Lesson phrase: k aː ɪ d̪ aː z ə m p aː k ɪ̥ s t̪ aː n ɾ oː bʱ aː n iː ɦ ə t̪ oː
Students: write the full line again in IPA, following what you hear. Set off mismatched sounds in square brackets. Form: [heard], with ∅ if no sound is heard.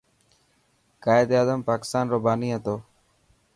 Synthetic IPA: k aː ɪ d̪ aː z ə m p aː k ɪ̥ s t̪ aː n ɾ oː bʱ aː n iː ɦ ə t̪ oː